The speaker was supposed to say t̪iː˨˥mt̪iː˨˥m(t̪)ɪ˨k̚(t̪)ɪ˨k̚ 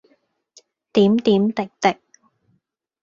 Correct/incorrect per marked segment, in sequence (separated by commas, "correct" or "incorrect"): correct, correct